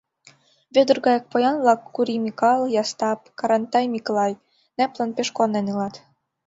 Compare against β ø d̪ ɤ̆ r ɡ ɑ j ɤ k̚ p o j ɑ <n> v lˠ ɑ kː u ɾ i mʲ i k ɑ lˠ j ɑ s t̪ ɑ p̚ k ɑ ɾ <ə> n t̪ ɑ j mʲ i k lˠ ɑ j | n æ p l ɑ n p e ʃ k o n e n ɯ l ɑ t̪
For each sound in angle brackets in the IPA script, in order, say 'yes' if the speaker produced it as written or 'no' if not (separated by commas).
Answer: yes, no